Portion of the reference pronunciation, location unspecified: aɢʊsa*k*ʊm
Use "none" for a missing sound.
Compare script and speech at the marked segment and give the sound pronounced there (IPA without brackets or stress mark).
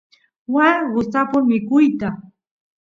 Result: p